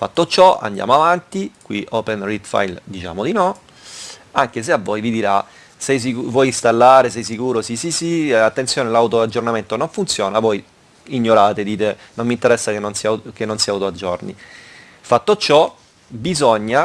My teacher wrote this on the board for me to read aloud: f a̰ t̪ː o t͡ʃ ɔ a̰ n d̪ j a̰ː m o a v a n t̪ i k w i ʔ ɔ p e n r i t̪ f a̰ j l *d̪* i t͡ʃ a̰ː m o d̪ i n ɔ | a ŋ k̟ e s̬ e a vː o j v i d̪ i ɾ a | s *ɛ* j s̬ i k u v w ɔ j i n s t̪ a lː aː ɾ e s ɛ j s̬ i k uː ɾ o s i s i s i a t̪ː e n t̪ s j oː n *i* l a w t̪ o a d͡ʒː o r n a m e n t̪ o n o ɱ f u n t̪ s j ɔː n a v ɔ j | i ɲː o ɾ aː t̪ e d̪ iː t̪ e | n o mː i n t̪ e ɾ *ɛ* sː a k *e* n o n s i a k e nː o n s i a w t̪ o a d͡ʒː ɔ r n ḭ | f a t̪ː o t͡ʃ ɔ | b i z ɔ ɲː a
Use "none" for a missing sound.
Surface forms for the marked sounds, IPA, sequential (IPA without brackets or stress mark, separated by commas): d̪, ɛ, e, ɛ, e